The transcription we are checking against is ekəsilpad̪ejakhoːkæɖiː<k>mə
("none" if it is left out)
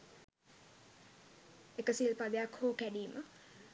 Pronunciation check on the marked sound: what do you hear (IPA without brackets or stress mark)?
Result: none